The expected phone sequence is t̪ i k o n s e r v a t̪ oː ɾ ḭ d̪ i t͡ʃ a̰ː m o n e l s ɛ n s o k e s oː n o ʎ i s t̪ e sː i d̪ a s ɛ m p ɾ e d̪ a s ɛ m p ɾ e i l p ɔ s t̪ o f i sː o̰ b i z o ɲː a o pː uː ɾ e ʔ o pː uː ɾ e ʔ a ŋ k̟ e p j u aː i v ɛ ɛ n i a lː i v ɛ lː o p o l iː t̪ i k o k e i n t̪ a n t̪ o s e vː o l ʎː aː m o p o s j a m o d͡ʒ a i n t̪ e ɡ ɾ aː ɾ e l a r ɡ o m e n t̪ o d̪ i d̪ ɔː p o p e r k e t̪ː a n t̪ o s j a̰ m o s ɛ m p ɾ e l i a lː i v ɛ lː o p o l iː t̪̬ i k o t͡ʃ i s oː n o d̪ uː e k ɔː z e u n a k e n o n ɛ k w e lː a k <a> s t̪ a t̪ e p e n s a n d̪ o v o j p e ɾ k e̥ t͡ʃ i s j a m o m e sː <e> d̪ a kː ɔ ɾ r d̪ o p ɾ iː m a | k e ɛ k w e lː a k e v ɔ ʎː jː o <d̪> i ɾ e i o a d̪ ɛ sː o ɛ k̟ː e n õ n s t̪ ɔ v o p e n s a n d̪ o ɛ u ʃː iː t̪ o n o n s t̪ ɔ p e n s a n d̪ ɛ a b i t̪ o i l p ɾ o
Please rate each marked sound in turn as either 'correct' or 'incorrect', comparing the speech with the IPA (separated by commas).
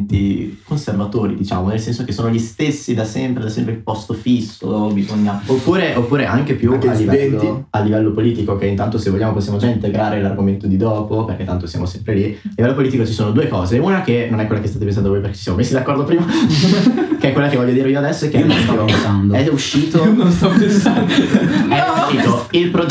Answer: incorrect, incorrect, correct